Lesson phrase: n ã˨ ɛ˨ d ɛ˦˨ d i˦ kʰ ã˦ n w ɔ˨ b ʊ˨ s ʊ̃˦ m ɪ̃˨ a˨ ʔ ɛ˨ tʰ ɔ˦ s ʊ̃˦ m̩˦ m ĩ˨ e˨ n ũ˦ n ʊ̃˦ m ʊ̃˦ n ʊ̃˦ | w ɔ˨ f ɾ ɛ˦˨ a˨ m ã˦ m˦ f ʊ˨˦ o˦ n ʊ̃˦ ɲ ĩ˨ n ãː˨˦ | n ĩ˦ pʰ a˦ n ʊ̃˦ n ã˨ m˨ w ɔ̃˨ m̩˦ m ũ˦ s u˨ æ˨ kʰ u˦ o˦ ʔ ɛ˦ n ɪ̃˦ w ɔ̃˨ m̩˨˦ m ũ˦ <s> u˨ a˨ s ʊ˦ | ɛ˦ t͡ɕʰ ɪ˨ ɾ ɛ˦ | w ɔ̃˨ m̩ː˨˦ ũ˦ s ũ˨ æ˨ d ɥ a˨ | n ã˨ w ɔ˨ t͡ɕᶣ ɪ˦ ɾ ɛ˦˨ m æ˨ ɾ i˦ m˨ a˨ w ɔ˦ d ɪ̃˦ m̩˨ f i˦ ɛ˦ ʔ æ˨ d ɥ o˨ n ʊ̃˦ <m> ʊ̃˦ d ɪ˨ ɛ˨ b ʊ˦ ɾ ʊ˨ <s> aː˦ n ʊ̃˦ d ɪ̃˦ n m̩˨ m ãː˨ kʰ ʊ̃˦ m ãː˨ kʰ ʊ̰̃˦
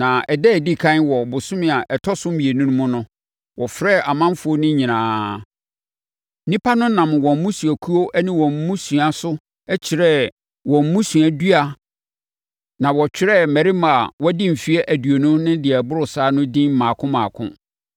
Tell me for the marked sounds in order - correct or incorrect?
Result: correct, incorrect: n, correct

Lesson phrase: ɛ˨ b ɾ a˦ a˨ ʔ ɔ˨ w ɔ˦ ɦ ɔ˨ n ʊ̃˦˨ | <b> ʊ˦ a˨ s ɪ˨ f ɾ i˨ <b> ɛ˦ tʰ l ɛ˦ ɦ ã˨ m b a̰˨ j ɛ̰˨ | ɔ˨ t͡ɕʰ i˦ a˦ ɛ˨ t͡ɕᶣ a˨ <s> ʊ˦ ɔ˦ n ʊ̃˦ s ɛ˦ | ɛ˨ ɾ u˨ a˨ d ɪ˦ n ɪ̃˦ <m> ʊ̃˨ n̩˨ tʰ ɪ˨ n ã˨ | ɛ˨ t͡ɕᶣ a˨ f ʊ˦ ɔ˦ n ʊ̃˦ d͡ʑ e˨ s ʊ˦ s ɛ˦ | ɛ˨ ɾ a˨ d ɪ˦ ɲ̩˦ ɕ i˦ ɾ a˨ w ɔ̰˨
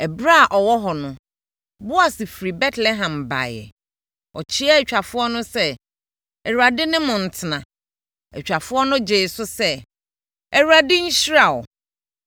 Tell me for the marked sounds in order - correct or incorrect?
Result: correct, correct, incorrect: f, correct

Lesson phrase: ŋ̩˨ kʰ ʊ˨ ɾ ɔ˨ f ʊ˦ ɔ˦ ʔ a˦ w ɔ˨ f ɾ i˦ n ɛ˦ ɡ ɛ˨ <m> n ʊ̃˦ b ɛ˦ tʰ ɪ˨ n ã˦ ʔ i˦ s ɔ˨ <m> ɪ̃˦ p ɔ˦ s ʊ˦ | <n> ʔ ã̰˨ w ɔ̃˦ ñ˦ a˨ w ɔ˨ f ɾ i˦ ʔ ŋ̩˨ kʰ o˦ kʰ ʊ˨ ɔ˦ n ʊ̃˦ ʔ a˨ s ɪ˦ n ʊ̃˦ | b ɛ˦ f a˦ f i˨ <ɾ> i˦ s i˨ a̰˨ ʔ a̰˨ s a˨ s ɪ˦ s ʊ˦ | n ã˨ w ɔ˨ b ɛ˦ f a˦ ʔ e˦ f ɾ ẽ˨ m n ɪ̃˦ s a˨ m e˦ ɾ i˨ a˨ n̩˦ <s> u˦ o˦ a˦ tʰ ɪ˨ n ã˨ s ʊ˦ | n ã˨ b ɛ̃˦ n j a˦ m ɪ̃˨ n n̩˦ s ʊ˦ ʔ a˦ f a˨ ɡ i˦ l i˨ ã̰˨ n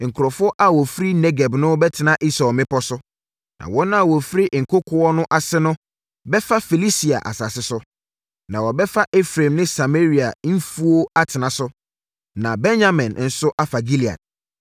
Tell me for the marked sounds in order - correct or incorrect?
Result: incorrect: b, correct, correct, incorrect: l, incorrect: f

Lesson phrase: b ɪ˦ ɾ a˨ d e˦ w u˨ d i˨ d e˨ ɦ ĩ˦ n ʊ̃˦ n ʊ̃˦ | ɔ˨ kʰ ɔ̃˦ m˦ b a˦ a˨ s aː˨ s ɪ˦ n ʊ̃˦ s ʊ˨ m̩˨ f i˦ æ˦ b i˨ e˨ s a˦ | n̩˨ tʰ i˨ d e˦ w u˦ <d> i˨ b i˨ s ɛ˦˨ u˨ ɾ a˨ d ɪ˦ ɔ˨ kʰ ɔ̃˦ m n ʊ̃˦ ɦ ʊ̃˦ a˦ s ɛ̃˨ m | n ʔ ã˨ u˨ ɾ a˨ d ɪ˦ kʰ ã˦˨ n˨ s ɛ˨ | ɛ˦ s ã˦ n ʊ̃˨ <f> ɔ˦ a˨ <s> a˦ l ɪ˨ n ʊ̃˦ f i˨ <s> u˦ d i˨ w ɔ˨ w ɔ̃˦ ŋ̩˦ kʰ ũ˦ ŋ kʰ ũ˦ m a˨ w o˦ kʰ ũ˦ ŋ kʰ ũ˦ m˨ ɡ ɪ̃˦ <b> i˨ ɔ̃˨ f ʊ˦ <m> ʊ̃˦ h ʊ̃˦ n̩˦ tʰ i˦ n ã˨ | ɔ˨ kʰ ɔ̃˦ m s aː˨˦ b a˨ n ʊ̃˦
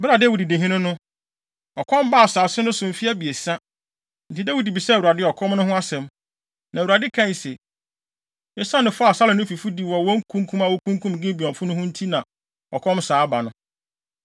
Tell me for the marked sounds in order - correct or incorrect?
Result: correct, correct, correct, incorrect: f, correct, incorrect: n

